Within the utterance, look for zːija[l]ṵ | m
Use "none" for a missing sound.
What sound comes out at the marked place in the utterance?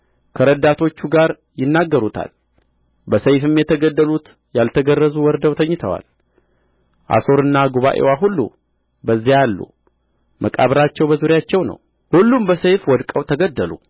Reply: lː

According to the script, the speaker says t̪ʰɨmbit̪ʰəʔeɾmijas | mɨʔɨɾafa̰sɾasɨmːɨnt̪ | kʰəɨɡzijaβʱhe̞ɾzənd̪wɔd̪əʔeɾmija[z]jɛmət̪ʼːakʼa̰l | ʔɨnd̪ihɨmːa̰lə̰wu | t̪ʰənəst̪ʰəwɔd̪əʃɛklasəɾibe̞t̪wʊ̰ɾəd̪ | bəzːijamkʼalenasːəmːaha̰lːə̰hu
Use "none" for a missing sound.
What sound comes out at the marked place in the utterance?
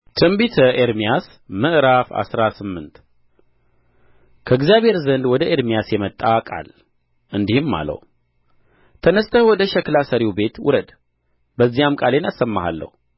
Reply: s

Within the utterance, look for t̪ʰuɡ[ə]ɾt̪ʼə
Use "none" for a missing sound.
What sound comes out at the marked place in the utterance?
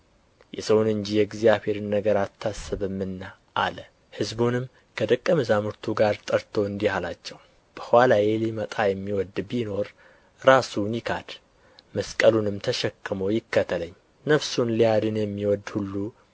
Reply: a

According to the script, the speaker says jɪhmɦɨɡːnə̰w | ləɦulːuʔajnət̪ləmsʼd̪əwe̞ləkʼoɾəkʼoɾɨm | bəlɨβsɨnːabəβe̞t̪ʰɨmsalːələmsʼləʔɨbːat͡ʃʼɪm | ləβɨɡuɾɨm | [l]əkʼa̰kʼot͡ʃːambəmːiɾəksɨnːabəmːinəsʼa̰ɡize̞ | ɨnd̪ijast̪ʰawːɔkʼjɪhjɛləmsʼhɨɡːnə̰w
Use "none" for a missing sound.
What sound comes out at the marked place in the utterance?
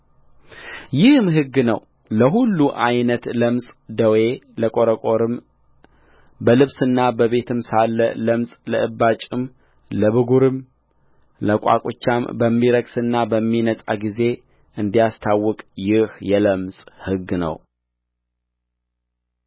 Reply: l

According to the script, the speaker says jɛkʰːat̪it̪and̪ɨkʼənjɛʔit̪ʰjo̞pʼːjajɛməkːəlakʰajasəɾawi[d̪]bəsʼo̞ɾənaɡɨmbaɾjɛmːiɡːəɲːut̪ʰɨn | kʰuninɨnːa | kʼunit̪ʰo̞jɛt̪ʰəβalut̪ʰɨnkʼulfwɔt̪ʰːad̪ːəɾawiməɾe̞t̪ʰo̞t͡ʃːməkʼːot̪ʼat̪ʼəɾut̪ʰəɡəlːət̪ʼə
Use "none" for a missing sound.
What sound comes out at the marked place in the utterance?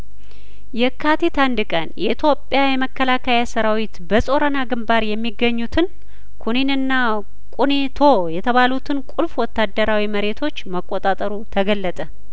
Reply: t̪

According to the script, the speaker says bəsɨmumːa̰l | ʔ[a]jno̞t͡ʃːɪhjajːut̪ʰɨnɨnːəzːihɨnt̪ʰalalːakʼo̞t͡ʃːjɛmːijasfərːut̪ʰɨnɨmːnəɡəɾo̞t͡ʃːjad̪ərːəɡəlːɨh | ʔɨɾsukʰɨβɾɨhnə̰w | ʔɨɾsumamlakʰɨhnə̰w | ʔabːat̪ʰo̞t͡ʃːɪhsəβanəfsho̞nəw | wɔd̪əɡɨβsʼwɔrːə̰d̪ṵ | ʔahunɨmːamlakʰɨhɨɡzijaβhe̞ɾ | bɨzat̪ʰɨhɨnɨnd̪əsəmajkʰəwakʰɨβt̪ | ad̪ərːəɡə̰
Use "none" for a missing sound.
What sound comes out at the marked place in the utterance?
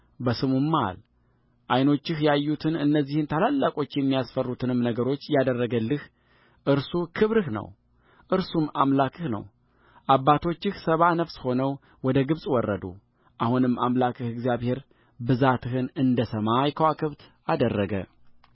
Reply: a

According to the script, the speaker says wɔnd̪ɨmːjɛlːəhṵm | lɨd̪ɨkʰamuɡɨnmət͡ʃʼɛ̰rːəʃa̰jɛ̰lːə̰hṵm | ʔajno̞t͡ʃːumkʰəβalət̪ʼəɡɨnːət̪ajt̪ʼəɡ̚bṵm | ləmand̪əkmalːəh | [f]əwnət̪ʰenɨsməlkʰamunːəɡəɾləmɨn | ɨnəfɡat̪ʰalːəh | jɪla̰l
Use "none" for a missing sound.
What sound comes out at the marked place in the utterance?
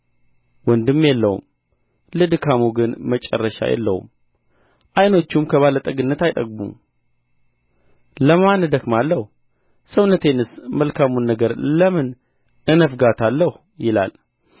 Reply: s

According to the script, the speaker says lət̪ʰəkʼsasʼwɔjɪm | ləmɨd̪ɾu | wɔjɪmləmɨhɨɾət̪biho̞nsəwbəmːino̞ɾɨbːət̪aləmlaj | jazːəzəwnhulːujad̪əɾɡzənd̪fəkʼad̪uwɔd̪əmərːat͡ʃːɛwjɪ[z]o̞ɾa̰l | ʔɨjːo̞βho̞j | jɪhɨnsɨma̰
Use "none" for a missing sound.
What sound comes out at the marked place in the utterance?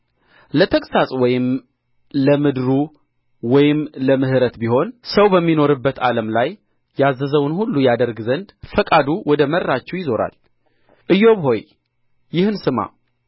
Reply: z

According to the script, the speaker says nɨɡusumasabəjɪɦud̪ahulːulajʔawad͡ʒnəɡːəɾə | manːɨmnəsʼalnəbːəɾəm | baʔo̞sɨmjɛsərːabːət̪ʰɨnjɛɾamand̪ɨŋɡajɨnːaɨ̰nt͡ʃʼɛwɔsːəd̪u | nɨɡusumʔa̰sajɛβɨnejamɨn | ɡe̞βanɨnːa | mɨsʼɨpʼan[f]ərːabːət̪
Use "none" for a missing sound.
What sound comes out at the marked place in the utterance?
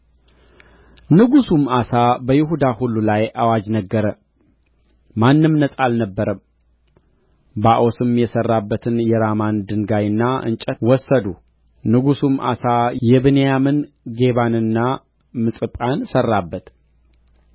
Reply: s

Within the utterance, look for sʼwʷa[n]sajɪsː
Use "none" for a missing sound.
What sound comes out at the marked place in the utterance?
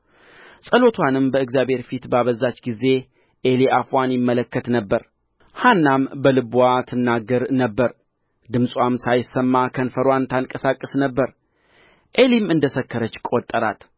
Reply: m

